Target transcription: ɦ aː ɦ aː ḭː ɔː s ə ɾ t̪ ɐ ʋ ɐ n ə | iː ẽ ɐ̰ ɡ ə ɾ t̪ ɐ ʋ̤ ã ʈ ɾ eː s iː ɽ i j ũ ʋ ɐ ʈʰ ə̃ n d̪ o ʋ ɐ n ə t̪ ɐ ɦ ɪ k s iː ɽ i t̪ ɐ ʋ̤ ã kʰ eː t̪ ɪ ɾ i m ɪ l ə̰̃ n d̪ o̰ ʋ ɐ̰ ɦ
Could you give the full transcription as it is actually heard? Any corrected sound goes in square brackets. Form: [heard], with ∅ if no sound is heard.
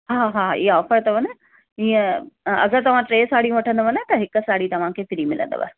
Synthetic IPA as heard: ɦ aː ɦ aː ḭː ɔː [f] ə ɾ t̪ ɐ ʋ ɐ n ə | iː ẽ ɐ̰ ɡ ə ɾ t̪ ɐ ʋ̤ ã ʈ ɾ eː s [aː] ɽ i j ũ ʋ ɐ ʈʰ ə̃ n d̪ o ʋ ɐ n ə t̪ ɐ ɦ ɪ k s [aː] ɽ i t̪ ɐ ʋ̤ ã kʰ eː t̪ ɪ ɾ i m ɪ l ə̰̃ n d̪ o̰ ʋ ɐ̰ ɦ